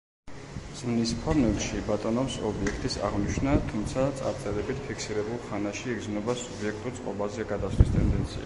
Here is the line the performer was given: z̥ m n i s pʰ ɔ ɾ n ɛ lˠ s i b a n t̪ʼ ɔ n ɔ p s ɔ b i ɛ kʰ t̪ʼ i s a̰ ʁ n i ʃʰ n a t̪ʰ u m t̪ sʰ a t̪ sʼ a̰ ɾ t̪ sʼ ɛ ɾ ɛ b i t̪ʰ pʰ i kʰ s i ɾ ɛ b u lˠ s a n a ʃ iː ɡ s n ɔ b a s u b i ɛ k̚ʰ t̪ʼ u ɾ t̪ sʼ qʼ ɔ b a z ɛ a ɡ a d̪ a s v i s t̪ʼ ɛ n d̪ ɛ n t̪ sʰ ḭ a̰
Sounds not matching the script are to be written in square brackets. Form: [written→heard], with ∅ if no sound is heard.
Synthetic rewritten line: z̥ m n i s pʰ ɔ ɾ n ɛ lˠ [s→ʃ] i b a [n→∅] t̪ʼ ɔ n ɔ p s ɔ b i ɛ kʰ t̪ʼ i s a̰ ʁ n i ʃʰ n a t̪ʰ u m t̪ sʰ a t̪ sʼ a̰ ɾ t̪ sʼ ɛ ɾ ɛ b i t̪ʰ pʰ i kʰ s i ɾ ɛ b u lˠ [s→χ] a n a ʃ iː ɡ [s→z] n ɔ b a s u b i ɛ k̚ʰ t̪ʼ u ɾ t̪ sʼ qʼ ɔ b a z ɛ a ɡ a d̪ a s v i s t̪ʼ ɛ n d̪ ɛ n t̪ sʰ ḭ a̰